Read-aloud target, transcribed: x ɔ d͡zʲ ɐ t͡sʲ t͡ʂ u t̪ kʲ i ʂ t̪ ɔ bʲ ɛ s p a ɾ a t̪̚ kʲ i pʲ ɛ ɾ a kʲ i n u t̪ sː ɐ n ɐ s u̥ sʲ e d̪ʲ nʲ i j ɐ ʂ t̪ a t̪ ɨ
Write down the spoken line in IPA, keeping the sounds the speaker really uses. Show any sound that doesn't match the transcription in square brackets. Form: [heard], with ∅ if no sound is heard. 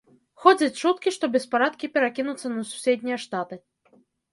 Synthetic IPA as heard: x ɔ d͡zʲ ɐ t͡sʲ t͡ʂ u t̪ kʲ i ʂ t̪ ɔ bʲ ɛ s p a ɾ a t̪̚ kʲ i pʲ ɛ ɾ a kʲ i n u t̪ sː ɐ n ɐ s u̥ sʲ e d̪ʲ nʲ i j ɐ ʂ t̪ a t̪ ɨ